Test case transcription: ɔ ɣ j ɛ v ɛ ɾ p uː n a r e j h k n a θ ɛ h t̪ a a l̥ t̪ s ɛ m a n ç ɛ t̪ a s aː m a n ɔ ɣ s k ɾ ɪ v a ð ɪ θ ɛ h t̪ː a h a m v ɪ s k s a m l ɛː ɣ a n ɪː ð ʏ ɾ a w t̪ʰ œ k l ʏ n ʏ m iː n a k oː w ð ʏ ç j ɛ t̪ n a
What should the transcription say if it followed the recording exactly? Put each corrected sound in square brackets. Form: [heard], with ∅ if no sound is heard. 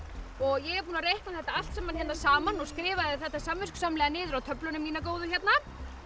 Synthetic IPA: ɔ ɣ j ɛ [ɣ] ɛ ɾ p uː n a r e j h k n a θ ɛ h t̪ a a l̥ t̪ s ɛ m a n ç ɛ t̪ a s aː m a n ɔ ɣ s k ɾ [ɪː] v a ð ɪ θ ɛ h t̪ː a [s] a m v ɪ s k s a m l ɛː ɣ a n ɪː ð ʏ ɾ a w t̪ʰ œ [p] l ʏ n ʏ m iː n a k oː w ð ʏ ç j ɛ t̪ n a